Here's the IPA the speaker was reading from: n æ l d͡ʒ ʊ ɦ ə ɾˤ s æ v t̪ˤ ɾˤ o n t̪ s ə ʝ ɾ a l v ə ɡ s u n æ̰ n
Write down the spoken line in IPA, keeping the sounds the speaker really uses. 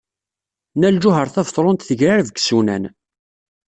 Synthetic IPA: n æ l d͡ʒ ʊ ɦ ə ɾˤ θ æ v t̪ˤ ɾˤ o n t̪ θ ə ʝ ɾ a ɾ v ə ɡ s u n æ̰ n